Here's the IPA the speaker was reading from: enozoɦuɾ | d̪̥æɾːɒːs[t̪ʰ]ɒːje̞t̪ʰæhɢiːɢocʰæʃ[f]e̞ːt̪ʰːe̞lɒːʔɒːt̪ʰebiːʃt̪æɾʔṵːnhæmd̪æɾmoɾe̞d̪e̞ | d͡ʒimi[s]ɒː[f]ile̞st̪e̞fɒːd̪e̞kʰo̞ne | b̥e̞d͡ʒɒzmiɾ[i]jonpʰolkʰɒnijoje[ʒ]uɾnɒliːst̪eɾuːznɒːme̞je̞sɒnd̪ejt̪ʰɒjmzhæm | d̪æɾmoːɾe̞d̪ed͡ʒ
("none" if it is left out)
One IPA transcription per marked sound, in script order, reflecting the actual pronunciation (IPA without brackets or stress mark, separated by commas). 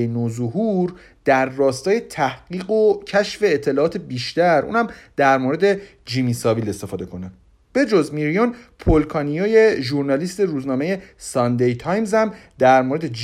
t̪, f, s, v, i, ʒ